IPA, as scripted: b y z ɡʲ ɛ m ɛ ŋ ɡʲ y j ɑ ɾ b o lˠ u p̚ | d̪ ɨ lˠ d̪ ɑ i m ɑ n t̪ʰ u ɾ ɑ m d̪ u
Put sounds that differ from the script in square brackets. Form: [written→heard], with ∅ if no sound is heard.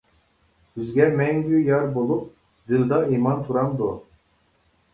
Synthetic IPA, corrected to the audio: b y z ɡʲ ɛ m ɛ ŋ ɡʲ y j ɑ ɾ b o lˠ u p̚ | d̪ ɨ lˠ d̪ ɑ i m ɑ n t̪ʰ u ɾ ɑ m d̪ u